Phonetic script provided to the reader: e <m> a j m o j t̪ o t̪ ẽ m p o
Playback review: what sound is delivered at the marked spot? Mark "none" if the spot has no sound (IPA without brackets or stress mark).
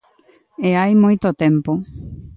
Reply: none